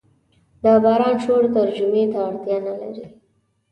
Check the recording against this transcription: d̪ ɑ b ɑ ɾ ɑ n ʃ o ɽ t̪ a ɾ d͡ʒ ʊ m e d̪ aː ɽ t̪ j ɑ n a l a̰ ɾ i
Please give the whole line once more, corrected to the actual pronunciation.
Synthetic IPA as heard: d̪ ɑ b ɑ ɾ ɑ n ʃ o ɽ t̪ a ɾ d͡ʒ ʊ m e t̪ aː ɽ t̪ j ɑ n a l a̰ ɾ i